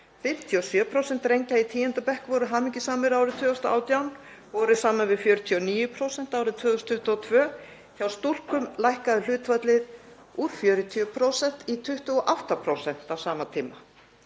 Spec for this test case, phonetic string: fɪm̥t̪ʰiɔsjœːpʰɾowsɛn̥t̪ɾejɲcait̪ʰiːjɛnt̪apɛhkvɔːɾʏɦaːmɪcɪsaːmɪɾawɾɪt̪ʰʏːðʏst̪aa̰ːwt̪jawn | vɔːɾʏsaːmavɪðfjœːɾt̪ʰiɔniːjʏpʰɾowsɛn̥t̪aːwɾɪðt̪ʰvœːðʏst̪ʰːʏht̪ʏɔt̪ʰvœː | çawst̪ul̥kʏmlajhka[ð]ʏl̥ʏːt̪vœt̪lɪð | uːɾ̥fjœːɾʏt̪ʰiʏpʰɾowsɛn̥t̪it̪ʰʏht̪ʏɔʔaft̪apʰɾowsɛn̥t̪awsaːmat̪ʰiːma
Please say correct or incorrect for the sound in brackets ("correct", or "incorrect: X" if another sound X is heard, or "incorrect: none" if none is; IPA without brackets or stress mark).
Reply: correct